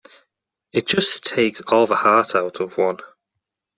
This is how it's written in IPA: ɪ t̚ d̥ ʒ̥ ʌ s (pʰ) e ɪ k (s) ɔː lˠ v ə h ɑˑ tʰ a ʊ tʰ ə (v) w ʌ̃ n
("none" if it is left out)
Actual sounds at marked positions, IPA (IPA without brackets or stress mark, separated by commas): tʰ, s, v